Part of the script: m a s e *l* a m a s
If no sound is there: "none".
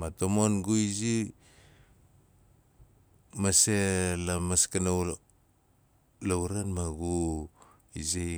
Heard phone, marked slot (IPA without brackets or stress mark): l